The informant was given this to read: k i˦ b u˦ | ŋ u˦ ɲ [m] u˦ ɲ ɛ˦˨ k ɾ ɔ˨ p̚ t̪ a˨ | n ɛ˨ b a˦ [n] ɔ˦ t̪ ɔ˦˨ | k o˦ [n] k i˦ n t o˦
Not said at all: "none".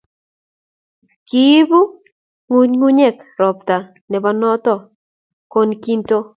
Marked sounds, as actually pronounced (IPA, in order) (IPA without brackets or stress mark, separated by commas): ŋ, n, n